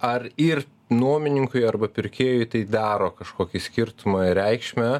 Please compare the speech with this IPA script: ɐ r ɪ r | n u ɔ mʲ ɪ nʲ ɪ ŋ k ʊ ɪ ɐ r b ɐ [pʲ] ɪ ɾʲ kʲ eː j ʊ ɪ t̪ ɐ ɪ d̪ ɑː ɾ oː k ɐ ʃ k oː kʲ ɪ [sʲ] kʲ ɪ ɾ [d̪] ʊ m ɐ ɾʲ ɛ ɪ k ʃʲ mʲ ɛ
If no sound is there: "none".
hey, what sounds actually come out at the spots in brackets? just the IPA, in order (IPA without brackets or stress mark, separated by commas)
pʲ, sʲ, t̪